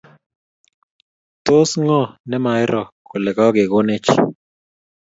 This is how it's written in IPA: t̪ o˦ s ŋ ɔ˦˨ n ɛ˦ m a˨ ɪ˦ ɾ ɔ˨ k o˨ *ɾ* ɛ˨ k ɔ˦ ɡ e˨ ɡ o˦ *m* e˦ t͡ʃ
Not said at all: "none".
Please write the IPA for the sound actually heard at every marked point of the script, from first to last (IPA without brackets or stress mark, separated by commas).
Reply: l, n